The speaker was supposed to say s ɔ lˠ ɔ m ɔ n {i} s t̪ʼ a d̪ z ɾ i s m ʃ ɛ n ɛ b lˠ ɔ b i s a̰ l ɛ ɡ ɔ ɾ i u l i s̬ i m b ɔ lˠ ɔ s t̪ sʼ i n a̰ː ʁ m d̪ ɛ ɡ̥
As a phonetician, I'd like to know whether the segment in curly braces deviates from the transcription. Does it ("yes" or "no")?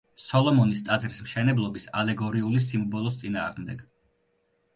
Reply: no